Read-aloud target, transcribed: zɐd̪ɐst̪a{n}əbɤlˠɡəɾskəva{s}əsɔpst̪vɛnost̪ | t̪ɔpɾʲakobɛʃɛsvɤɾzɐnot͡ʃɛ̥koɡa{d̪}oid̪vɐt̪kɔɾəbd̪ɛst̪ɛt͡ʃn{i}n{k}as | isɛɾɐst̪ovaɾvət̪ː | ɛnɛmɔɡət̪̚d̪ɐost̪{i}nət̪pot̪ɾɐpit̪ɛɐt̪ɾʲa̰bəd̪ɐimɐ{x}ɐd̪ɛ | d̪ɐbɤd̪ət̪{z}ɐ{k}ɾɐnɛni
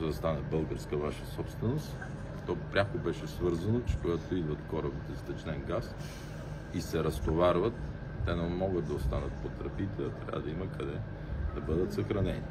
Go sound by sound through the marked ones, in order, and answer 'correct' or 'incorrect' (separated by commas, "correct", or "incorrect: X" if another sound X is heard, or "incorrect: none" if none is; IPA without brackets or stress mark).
correct, incorrect: ʃ, incorrect: t̪, incorrect: ɛ, incorrect: ɡ, incorrect: a, incorrect: k, incorrect: s, incorrect: x